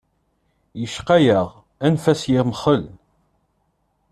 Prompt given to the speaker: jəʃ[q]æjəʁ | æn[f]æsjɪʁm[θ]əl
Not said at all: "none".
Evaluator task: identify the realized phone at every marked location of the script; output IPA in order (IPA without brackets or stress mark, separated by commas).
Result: q, f, χ